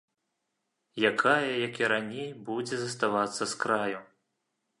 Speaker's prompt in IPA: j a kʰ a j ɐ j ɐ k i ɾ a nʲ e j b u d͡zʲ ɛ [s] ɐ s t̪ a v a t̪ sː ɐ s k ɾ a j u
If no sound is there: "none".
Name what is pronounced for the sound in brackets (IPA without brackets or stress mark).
z